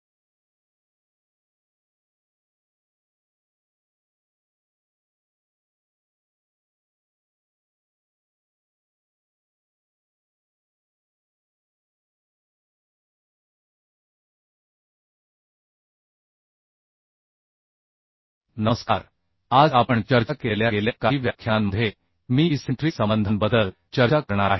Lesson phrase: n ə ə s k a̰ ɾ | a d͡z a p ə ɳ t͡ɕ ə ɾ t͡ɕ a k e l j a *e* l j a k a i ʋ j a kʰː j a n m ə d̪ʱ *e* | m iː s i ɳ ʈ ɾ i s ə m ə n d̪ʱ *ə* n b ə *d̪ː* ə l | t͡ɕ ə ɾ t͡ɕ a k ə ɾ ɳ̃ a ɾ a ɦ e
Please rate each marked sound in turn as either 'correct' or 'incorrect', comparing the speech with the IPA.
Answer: correct, correct, correct, incorrect

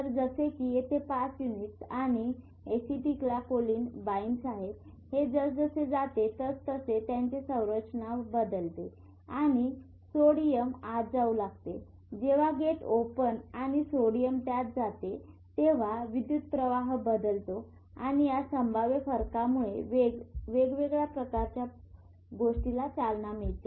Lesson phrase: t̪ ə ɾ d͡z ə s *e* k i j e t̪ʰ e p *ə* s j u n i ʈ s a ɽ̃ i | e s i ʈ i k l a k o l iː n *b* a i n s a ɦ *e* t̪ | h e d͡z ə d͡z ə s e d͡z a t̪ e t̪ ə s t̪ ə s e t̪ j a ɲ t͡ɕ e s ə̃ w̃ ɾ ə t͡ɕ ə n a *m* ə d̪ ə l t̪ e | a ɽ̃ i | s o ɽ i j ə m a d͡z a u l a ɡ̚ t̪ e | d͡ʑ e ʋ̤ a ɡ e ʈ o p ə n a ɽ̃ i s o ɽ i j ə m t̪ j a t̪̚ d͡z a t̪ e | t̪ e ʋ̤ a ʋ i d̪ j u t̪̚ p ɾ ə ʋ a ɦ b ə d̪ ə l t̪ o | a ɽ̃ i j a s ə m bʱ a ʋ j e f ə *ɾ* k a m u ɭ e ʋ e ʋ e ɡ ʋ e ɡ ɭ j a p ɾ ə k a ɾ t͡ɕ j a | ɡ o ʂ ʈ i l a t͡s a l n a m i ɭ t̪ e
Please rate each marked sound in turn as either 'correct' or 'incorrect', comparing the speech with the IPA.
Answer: correct, incorrect, correct, correct, incorrect, correct

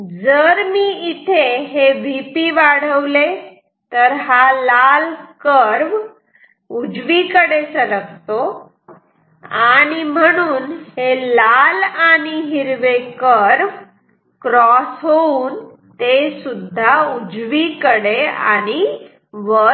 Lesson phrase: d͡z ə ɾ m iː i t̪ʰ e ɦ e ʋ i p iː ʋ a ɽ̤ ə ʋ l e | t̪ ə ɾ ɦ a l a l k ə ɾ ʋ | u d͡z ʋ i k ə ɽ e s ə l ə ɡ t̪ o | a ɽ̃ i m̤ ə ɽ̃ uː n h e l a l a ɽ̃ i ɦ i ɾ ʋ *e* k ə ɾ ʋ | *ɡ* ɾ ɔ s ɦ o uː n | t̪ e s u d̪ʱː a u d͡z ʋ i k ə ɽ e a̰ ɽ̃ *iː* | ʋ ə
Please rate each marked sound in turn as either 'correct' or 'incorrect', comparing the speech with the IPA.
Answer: correct, incorrect, incorrect

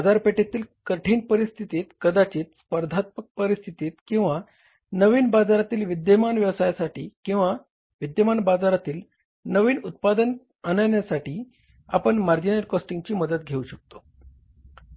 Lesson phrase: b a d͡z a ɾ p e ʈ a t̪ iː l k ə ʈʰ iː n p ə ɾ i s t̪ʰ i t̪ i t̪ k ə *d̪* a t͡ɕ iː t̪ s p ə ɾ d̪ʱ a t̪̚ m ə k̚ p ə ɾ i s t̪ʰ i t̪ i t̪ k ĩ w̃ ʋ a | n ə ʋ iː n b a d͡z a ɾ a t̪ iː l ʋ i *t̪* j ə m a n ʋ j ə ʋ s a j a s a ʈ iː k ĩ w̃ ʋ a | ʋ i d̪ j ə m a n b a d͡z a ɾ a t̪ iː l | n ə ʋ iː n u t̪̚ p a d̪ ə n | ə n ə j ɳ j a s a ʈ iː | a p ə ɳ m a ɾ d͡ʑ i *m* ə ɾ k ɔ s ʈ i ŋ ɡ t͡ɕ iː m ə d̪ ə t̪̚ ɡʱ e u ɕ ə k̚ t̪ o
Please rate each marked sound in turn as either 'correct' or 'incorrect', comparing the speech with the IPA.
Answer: correct, incorrect, incorrect

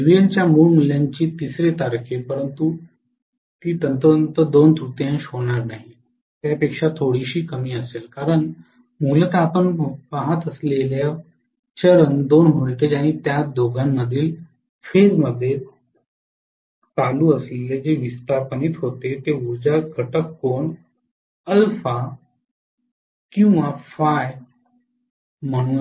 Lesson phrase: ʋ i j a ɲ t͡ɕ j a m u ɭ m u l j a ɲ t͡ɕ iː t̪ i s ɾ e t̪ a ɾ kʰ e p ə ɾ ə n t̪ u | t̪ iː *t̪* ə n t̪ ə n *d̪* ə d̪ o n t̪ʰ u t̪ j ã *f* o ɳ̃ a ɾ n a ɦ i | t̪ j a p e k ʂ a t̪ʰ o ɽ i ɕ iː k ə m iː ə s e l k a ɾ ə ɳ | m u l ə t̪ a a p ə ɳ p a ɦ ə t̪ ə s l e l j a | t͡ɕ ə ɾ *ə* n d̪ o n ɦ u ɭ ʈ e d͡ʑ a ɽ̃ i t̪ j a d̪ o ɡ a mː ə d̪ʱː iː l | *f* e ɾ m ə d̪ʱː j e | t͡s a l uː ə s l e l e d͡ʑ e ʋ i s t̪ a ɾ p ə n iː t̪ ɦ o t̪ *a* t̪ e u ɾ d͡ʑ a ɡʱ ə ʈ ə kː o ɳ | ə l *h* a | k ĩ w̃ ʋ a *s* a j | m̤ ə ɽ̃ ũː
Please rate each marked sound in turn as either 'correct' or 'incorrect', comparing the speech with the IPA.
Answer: correct, incorrect, incorrect, correct, correct, incorrect, incorrect, incorrect

